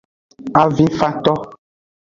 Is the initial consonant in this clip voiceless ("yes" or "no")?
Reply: no